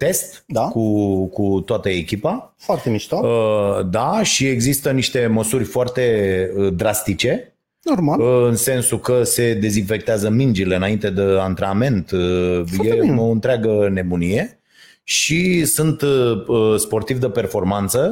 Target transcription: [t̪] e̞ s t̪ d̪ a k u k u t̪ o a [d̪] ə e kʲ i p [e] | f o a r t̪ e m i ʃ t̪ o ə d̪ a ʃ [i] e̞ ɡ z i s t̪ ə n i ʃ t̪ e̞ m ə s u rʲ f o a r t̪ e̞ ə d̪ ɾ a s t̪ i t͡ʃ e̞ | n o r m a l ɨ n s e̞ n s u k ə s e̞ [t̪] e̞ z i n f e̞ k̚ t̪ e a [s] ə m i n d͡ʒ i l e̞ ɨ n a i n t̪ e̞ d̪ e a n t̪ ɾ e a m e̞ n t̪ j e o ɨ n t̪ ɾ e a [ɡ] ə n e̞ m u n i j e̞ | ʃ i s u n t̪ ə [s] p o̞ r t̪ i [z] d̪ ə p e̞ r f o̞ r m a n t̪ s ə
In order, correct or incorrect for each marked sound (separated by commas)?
correct, incorrect, incorrect, correct, incorrect, incorrect, correct, correct, incorrect